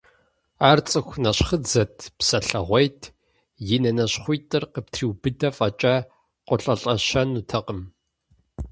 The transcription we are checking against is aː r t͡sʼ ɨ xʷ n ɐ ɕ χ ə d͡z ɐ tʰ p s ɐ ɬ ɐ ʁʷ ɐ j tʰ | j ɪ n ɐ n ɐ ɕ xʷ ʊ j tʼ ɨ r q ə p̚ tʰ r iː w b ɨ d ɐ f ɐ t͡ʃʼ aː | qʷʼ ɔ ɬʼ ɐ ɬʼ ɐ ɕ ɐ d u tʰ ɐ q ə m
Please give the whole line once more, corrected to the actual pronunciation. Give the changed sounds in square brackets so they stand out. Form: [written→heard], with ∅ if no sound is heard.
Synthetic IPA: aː r t͡sʼ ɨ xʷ n ɐ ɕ χ ə d͡z ɐ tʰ p s ɐ ɬ ɐ ʁʷ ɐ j tʰ | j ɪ n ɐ n ɐ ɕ [xʷ→χʷ] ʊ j tʼ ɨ r q ə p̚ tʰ r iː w b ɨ d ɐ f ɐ t͡ʃʼ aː | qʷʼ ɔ ɬʼ ɐ ɬʼ ɐ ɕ ɐ [d→n] u tʰ ɐ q ə m